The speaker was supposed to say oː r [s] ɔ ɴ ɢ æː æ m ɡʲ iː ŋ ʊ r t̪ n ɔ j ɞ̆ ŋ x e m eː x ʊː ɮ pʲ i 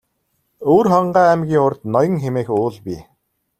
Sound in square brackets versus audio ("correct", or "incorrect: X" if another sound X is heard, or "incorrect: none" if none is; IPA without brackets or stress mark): incorrect: χ